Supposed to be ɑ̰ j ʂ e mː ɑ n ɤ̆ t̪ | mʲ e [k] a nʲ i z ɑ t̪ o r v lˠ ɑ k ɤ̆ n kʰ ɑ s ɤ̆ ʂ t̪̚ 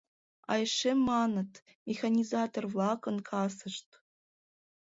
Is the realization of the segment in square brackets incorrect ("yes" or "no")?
yes